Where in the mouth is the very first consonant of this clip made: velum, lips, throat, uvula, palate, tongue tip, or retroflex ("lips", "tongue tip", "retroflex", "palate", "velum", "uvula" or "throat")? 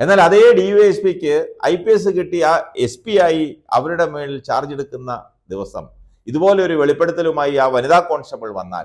tongue tip